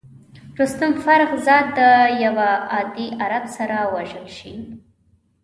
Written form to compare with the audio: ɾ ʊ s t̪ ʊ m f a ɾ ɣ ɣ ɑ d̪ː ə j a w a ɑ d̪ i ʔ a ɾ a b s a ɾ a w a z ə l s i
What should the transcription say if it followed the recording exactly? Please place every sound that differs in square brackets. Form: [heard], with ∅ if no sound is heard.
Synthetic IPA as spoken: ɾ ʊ s t̪ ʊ m f a ɾ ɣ [z] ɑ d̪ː ə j a w a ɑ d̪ i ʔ a ɾ a b s a ɾ a w a [ʒ] ə l [ʃ] i